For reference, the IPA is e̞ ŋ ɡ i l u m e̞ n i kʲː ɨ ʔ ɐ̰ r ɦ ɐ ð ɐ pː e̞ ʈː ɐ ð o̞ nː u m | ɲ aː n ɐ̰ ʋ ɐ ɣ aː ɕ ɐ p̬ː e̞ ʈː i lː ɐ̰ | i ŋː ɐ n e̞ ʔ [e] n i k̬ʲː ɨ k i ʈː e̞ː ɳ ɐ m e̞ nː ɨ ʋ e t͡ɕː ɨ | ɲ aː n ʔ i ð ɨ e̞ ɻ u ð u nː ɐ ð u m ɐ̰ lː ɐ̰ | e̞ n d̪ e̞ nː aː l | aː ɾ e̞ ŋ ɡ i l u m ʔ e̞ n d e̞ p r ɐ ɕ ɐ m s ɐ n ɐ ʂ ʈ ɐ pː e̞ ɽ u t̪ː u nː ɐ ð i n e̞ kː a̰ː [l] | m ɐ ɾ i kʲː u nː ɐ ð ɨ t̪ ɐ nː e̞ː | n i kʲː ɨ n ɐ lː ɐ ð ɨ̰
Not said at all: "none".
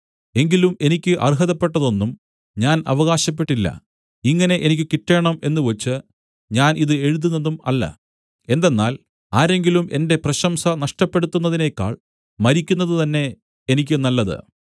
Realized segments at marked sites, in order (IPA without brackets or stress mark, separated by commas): e, ɭ